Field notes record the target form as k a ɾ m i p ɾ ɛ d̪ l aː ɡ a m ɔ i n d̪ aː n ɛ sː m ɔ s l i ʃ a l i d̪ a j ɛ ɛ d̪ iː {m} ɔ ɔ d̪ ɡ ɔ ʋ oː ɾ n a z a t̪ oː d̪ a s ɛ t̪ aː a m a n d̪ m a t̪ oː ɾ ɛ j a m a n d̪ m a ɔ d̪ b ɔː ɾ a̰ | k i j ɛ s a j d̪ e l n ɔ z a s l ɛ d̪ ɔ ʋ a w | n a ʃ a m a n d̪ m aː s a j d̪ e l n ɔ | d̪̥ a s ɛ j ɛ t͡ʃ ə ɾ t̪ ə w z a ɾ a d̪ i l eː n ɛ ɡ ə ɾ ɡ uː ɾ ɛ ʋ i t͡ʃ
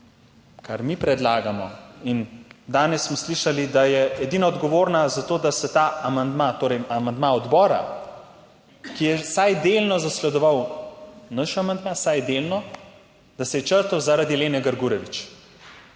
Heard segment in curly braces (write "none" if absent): n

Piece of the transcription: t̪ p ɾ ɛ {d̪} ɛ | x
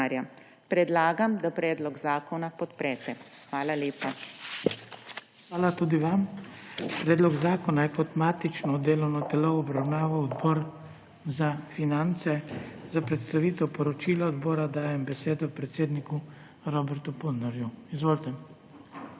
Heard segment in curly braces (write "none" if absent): t̪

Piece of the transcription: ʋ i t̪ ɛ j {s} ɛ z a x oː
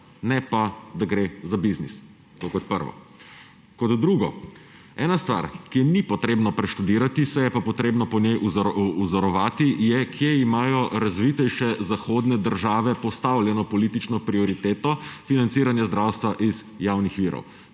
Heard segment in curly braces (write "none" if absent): ʃ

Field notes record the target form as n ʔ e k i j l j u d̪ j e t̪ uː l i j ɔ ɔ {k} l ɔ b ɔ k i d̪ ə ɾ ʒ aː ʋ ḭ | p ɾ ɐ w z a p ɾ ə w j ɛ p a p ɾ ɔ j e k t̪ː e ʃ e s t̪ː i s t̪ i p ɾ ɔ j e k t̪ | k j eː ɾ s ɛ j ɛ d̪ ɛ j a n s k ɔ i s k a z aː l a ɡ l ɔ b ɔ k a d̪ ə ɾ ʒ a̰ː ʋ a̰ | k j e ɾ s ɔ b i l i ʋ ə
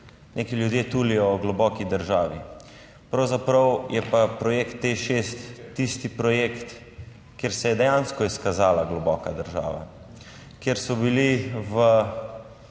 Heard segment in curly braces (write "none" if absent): ɡ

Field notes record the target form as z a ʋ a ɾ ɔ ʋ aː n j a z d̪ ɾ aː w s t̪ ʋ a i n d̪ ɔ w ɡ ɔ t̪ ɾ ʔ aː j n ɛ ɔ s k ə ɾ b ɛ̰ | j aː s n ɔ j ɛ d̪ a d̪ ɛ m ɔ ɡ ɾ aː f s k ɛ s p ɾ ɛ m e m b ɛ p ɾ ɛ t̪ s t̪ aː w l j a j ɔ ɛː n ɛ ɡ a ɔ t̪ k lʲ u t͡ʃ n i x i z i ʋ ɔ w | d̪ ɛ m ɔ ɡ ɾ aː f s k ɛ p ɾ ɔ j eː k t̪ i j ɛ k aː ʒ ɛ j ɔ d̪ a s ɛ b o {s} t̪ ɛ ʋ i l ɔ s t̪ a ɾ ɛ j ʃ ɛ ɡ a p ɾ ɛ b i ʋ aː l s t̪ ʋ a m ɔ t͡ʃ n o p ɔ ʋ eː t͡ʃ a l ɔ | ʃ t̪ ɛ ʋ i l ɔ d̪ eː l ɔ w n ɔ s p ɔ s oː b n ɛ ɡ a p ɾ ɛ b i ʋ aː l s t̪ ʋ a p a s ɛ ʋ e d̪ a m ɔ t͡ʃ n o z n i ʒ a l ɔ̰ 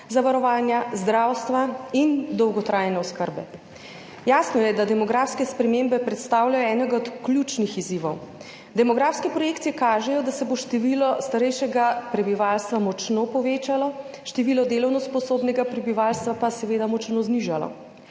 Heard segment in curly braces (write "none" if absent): ʃ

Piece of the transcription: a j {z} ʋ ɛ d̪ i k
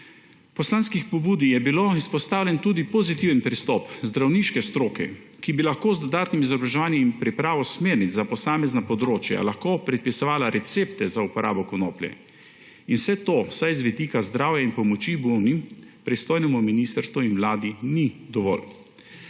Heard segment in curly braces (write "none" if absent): z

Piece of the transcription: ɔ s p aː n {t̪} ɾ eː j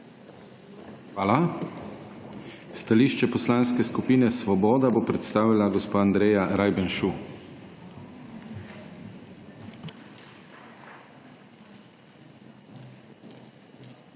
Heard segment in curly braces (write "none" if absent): d̪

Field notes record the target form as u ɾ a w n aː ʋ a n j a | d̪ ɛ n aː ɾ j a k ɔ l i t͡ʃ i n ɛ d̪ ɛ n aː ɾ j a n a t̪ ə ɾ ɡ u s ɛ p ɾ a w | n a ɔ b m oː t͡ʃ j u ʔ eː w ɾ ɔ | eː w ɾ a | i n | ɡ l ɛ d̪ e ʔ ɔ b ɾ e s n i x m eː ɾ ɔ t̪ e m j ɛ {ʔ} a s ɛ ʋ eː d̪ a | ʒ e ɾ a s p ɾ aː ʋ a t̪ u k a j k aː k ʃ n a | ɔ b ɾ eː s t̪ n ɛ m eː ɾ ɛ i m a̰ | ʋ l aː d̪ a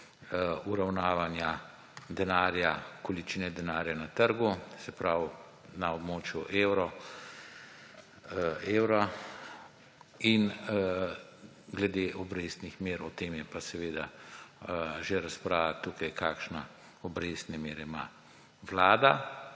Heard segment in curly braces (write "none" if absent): p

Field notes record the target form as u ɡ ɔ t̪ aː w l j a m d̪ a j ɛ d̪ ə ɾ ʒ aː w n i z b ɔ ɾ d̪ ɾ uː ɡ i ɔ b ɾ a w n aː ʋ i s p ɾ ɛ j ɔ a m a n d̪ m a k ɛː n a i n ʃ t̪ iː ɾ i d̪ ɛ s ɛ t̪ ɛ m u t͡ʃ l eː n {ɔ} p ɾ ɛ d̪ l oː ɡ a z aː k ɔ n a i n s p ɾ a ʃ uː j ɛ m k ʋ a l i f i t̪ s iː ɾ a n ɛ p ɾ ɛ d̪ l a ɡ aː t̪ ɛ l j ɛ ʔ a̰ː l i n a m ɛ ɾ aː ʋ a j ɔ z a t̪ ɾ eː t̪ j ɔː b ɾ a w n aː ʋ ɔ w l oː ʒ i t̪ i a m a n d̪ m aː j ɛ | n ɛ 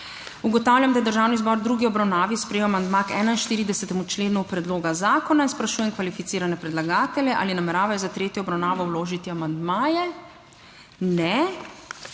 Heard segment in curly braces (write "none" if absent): u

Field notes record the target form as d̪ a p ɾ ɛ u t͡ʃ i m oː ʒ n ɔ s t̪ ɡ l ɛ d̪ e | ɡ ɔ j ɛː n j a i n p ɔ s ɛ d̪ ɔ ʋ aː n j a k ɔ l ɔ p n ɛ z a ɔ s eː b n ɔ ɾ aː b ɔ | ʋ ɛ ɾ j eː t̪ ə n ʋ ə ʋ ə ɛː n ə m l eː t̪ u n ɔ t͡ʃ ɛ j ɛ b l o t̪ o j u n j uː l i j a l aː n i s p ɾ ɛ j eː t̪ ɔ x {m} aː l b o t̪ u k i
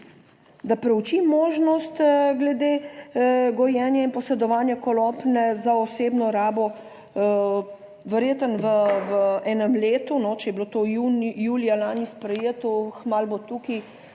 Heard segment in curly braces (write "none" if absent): m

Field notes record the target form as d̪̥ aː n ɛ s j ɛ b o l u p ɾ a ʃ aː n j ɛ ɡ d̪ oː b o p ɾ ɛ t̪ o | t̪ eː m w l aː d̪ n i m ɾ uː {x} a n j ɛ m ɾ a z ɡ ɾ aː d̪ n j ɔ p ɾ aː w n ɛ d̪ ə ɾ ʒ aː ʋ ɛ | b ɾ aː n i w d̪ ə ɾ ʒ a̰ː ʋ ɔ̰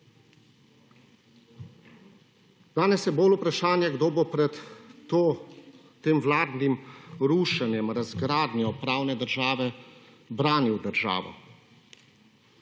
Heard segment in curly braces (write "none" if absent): ʃ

